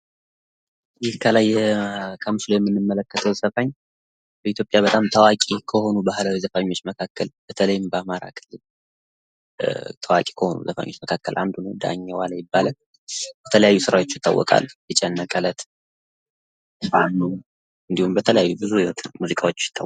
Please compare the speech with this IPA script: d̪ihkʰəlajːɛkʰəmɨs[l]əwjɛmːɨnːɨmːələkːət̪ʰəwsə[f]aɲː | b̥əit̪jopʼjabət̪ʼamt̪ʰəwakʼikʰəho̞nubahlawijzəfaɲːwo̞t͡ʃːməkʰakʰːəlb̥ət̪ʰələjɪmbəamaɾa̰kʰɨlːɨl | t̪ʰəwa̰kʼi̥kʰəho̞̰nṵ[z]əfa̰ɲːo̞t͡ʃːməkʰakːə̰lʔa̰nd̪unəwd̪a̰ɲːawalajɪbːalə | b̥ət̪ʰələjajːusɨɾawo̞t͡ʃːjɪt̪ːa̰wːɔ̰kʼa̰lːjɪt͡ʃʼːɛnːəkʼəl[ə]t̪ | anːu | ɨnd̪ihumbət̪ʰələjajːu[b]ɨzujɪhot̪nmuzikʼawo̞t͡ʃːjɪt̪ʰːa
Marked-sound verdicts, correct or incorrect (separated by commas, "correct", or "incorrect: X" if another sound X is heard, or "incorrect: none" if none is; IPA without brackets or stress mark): correct, correct, correct, correct, correct